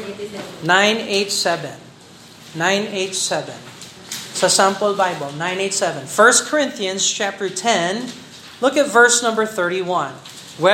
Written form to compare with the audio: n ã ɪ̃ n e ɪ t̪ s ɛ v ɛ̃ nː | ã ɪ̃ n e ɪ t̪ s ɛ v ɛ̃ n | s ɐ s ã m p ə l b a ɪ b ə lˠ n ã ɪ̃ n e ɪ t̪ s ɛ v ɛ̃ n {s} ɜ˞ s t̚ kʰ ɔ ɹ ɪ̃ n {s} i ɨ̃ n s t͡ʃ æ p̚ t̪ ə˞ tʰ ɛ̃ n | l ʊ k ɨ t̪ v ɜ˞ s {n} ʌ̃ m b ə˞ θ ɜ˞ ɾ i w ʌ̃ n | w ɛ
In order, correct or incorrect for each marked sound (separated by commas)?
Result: incorrect, incorrect, correct